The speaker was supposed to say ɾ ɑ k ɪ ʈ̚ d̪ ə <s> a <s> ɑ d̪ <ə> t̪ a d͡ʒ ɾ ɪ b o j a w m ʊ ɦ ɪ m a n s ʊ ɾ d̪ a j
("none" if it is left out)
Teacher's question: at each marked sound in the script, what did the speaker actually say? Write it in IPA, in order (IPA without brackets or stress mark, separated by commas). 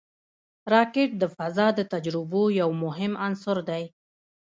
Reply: f, z, ə